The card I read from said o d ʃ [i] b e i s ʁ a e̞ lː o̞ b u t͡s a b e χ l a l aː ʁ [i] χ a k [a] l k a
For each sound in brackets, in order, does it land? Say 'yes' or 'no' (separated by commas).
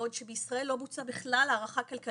no, no, yes